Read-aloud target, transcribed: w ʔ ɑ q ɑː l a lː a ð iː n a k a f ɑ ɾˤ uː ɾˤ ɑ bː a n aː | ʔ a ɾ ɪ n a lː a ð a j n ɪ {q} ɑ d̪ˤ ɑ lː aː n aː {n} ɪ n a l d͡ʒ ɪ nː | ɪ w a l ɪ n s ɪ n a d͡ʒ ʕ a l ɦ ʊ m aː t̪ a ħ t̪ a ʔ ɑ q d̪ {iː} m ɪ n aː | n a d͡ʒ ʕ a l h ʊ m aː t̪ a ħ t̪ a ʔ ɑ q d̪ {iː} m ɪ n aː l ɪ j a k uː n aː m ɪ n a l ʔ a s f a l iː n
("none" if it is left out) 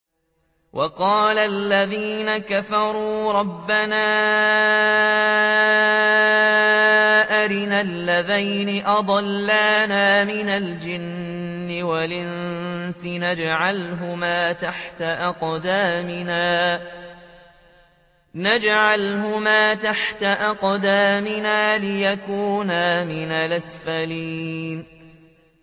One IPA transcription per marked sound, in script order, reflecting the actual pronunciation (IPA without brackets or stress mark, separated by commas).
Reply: ʔ, m, aː, aː